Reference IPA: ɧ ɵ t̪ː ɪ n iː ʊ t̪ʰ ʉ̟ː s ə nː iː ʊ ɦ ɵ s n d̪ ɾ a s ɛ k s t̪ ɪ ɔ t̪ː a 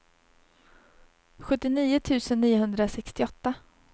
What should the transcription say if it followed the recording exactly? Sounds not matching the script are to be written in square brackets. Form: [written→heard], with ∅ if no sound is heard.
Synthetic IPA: ɧ ɵ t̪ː ɪ n iː ʊ t̪ʰ ʉ̟ː s ə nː iː ʊ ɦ ɵ [s→∅] n d̪ ɾ a s ɛ k s t̪ ɪ ɔ t̪ː a

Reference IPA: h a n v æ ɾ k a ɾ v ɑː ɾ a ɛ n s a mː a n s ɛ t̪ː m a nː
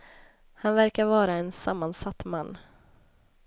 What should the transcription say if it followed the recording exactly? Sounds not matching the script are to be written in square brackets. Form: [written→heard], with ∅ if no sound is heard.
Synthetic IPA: h a n v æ ɾ k a ɾ v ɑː ɾ a ɛ n s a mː a n s [ɛ→a] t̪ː m a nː

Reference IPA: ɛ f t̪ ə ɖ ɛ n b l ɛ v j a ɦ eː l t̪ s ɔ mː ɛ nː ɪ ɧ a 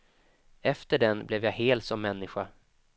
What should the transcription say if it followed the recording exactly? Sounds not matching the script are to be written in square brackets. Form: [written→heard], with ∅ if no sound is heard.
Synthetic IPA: ɛ f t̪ ə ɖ ɛ n b l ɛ v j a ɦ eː l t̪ s ɔ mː ɛ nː ɪ ɧ a

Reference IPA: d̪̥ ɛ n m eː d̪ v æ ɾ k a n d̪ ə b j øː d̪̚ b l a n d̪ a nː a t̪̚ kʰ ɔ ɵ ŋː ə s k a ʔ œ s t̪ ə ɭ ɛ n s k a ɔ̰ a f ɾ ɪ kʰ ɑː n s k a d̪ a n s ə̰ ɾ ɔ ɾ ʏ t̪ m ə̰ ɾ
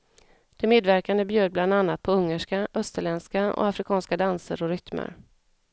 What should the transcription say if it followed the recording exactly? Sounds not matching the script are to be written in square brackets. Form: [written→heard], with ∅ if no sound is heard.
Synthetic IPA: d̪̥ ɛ [n→∅] m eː d̪ v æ ɾ k a n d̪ ə b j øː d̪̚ b l a n d̪ a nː a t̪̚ [kʰ→pʰ] ɔ ɵ ŋː ə [s→ʂ] k a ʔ œ s t̪ ə ɭ ɛ n s k a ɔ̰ a f ɾ ɪ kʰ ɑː n s k a d̪ a n s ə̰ ɾ ɔ ɾ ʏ t̪ m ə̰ ɾ

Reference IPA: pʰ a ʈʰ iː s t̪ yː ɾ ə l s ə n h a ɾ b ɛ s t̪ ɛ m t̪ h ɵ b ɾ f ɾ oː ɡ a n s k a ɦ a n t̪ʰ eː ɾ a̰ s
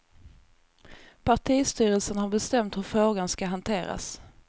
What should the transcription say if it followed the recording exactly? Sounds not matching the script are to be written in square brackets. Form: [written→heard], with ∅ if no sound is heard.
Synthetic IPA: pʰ a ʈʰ iː s t̪ yː ɾ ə l s ə n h a ɾ b ɛ s t̪ ɛ m t̪ h ɵ [b→∅] ɾ f ɾ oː ɡ a n s k a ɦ a n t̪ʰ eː ɾ a̰ s

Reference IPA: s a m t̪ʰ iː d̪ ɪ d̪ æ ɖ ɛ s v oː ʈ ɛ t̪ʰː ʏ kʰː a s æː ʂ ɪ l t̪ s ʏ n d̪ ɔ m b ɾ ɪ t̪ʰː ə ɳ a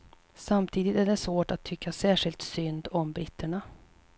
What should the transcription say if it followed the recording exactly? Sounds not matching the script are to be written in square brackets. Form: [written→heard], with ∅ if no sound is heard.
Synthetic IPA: s a m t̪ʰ iː d̪ ɪ [d̪→t̪] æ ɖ ɛ s v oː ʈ [ɛ→a] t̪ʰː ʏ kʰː a s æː ʂ ɪ l t̪ s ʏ n d̪ ɔ m b ɾ ɪ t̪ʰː ə ɳ a

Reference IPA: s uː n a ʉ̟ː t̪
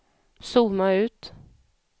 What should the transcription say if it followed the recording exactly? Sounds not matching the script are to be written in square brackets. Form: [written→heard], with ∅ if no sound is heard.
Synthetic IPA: s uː [n→m] a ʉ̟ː t̪

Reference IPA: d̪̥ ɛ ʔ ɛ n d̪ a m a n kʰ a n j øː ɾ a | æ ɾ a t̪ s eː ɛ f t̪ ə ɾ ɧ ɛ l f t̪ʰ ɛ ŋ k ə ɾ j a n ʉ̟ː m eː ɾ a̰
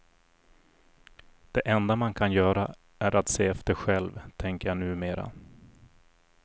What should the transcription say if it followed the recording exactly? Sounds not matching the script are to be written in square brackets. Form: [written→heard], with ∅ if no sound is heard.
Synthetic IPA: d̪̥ ɛ ʔ ɛ n d̪ a m a n kʰ a n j [øː→œː] ɾ a | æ ɾ a t̪ s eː ɛ f t̪ ə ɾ ɧ ɛ l [f→v] t̪ʰ ɛ ŋ k ə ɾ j a n ʉ̟ː m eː ɾ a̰

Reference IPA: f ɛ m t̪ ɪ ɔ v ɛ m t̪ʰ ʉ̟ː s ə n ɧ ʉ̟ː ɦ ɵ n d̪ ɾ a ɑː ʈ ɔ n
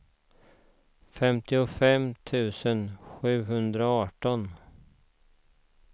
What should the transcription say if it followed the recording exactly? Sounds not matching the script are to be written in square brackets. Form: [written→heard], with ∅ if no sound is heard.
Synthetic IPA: f ɛ m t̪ ɪ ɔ [v→f] ɛ m t̪ʰ ʉ̟ː s ə n ɧ ʉ̟ː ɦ ɵ n d̪ ɾ a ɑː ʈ ɔ n

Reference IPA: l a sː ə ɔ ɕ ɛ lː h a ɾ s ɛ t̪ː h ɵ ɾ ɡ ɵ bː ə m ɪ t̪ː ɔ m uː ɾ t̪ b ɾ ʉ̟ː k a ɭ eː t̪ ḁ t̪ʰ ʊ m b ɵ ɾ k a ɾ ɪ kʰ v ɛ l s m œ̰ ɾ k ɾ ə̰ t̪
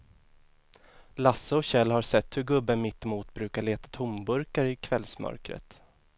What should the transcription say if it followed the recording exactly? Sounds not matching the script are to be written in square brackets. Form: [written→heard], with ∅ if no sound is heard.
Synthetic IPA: l a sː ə ɔ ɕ ɛ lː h a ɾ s ɛ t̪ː h ɵ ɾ ɡ ɵ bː ə m ɪ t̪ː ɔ m uː [ɾ→∅] t̪ b ɾ ʉ̟ː k a ɭ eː t̪ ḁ t̪ʰ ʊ m b ɵ ɾ k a ɾ ɪ kʰ v ɛ l s m œ̰ ɾ k ɾ ə̰ t̪

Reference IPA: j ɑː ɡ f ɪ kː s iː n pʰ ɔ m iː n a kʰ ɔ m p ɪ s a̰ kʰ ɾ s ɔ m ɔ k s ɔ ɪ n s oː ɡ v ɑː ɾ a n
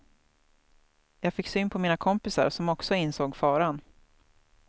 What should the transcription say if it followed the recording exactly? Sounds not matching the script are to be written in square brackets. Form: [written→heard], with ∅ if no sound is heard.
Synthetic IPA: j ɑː ɡ f ɪ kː s [iː→yː] n pʰ ɔ m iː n a kʰ ɔ m p ɪ s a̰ [kʰ→∅] ɾ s ɔ m ɔ k s ɔ ɪ n s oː ɡ [v→f] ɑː ɾ a n

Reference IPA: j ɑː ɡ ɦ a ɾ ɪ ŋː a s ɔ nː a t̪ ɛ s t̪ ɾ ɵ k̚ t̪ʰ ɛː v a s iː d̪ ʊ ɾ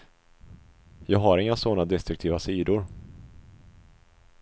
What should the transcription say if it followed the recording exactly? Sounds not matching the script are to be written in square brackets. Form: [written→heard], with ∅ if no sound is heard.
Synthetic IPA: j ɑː ɡ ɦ a ɾ ɪ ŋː a s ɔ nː a [t̪→d̪] ɛ s t̪ ɾ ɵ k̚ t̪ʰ [ɛː→iː] v a s iː d̪ ʊ ɾ

